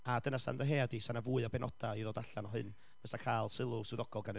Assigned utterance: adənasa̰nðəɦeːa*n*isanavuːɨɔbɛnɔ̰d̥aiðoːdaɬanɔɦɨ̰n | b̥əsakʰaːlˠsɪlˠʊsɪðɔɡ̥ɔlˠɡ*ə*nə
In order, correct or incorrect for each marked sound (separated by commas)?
incorrect, incorrect